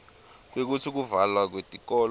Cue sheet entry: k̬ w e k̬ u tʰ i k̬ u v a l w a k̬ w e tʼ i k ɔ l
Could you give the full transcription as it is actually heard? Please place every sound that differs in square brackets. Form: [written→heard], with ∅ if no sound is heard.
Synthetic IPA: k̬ w e k̬ u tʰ i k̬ u v a l w a k̬ w e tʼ i k ɔ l